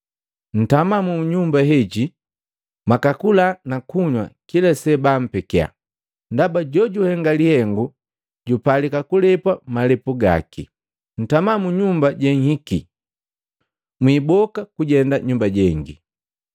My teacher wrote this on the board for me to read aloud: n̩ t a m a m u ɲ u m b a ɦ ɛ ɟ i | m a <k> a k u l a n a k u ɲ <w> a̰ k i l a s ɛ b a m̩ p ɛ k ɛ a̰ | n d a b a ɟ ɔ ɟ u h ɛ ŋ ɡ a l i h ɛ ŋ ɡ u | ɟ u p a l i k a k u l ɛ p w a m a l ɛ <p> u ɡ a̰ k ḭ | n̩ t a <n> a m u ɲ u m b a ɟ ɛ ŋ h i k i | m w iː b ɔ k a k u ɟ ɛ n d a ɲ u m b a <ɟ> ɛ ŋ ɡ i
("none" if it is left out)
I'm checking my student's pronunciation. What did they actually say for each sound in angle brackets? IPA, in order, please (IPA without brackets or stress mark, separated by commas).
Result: k, w, p, m, ɟ